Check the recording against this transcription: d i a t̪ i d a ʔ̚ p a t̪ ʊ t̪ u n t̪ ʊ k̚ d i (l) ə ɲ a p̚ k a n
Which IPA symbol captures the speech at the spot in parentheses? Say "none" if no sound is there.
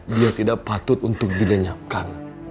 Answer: l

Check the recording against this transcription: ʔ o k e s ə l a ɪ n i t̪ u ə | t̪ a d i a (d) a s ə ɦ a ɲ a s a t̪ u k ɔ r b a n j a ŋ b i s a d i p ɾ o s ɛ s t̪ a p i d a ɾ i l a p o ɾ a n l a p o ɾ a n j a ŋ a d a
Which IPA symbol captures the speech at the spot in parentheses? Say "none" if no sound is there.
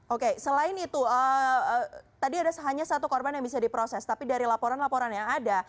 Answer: d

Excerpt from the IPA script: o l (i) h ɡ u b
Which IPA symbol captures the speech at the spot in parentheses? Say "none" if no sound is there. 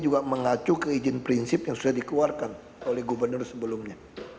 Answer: ɛ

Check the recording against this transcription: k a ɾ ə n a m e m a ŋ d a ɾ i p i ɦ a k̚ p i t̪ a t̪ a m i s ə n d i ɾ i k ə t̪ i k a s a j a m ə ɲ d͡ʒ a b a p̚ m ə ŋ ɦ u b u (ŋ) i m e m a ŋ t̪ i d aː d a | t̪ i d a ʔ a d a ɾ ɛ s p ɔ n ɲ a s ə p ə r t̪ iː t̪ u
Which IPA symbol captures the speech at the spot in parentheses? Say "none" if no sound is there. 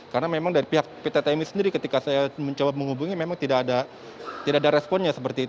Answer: ŋ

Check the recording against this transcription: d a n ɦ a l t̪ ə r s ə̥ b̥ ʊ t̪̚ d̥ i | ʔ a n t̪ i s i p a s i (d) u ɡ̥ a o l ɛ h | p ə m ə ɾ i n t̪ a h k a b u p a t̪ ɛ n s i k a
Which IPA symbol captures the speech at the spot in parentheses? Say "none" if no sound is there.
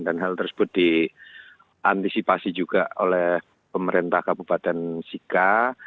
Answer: d͡ʒ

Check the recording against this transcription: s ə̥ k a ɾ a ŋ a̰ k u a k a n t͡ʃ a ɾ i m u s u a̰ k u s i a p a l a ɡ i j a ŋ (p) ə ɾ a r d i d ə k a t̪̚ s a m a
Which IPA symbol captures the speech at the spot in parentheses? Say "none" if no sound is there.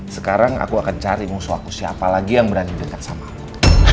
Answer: b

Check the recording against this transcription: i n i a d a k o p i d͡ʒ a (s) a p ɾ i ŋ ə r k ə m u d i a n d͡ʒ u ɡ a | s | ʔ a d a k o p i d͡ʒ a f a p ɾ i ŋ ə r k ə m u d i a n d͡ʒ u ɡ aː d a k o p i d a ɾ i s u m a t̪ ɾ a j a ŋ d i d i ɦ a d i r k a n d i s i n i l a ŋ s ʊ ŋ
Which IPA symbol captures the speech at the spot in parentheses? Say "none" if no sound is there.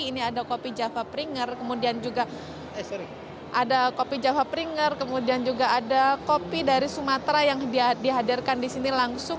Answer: f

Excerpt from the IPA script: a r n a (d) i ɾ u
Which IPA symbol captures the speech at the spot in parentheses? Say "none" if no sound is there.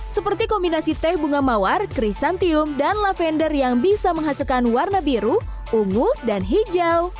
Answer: b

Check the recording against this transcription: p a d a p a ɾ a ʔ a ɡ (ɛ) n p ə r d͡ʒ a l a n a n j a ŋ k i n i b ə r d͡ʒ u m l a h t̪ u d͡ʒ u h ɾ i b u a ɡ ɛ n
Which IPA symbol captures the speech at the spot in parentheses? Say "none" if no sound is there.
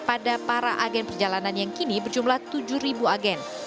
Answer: ɛ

